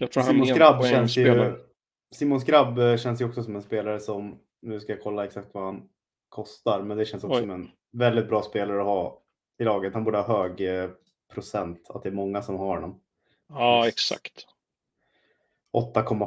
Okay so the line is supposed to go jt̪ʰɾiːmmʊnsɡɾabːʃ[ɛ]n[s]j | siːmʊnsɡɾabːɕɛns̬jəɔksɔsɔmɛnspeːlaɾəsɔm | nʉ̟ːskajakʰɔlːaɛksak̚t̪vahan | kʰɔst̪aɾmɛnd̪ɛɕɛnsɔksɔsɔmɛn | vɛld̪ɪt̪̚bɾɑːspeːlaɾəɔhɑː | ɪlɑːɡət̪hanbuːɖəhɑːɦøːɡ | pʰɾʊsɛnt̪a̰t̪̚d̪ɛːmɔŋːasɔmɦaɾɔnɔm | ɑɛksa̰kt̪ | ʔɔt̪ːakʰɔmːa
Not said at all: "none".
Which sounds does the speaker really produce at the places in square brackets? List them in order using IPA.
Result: ɛ, s

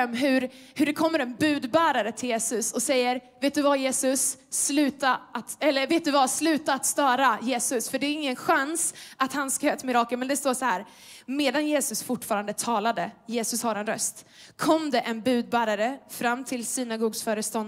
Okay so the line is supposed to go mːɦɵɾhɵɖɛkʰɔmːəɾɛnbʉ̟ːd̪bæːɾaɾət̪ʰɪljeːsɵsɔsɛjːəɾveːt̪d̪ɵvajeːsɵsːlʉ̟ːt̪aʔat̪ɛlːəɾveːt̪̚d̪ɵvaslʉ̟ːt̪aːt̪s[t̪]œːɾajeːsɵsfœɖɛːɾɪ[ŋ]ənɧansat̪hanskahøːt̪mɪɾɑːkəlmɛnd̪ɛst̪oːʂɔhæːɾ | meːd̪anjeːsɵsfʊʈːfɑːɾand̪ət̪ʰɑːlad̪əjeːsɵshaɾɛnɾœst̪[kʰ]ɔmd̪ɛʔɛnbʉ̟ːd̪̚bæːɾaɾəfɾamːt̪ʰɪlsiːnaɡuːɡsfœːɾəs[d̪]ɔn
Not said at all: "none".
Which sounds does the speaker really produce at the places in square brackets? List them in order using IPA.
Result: t̪, ŋː, kʰ, t̪

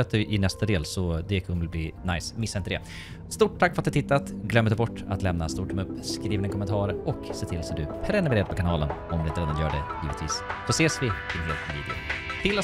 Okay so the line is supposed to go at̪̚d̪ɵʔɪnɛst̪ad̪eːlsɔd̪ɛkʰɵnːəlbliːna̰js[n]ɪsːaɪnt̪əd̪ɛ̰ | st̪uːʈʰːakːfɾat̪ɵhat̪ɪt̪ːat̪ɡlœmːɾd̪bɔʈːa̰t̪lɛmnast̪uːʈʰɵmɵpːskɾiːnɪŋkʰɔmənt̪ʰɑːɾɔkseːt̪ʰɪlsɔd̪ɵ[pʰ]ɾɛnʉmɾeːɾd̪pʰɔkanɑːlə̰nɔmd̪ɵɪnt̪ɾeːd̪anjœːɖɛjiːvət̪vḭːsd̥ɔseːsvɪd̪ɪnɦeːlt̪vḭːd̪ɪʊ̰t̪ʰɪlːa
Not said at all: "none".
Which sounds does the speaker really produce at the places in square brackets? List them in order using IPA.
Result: m, pʰ

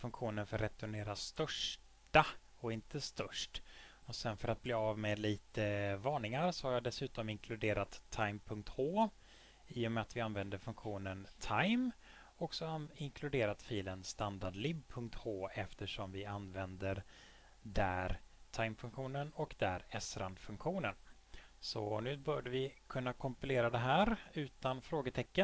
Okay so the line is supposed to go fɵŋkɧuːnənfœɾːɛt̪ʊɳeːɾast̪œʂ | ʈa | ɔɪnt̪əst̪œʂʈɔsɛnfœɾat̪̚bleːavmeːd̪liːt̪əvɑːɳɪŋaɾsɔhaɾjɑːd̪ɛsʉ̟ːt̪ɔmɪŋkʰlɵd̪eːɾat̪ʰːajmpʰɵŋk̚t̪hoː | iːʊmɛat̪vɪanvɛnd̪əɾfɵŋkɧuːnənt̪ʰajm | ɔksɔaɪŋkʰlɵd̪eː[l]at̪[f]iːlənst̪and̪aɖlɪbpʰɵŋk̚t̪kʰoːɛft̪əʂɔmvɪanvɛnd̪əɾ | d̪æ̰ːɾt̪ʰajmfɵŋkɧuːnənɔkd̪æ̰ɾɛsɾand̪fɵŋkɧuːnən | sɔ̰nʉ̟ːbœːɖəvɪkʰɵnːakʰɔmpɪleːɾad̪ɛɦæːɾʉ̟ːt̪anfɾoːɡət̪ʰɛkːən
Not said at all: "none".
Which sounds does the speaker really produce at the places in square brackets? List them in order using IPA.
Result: ɾ, f

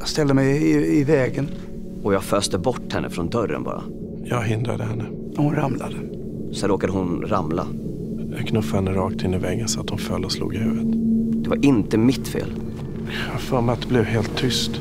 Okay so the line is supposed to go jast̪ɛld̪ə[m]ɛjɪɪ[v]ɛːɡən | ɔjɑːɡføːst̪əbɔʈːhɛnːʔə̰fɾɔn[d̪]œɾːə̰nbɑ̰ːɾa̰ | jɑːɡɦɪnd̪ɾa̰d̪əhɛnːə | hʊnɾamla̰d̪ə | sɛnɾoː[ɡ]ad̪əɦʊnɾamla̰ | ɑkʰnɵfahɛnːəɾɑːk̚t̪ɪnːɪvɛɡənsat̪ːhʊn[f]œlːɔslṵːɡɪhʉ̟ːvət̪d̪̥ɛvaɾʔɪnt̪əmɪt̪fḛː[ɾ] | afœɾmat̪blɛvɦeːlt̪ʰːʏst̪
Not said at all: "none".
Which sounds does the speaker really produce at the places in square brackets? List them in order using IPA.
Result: m, v, d̪, k, f, l

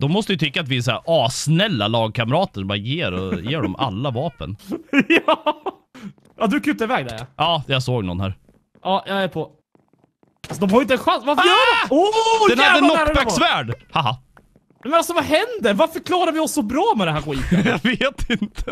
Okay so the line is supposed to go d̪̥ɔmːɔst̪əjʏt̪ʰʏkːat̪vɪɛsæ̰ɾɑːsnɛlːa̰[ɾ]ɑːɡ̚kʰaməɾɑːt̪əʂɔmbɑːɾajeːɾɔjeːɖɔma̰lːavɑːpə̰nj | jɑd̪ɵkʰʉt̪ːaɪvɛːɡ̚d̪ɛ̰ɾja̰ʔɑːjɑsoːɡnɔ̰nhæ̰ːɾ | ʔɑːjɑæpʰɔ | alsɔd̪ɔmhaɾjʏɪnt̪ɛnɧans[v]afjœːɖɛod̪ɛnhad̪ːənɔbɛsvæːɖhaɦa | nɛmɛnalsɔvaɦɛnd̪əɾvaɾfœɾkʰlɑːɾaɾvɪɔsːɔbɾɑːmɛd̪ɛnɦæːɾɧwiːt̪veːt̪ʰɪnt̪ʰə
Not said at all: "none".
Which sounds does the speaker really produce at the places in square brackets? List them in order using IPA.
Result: l, v

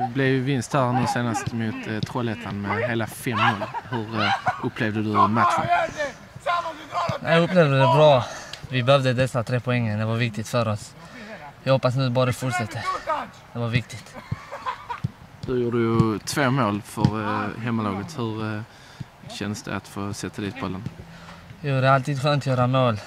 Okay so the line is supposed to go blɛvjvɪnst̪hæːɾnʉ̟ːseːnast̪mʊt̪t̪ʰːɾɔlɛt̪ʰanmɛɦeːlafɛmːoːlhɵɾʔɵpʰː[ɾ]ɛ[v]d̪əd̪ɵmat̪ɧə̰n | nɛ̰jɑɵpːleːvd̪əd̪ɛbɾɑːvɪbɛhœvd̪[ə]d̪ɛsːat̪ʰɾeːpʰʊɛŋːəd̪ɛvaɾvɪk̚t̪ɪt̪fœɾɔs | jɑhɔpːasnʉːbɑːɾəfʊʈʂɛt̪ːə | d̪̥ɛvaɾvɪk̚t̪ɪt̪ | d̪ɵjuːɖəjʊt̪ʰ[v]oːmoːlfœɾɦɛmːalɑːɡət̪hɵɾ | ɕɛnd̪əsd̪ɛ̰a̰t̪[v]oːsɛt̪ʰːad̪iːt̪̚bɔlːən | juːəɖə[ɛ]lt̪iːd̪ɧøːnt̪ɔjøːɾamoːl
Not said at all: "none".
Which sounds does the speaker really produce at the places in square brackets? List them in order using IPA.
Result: l, v, ə, v, f, a

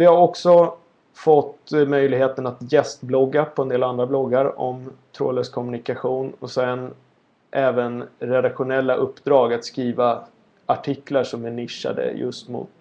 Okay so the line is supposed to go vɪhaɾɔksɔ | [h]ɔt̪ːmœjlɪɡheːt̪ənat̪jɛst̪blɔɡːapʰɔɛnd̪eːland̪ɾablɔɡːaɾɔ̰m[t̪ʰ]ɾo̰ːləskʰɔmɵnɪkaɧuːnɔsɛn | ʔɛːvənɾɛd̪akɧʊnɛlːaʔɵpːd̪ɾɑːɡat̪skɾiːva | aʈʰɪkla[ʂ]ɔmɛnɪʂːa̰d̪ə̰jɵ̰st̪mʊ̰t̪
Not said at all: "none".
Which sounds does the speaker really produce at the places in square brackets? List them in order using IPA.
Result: f, t̪ʰ, ʂ

